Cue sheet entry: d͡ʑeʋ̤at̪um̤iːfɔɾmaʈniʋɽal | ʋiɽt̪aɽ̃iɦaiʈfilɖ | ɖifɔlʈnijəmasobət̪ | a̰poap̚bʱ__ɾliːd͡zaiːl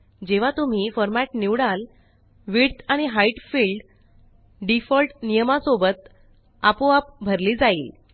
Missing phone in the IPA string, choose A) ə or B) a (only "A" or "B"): A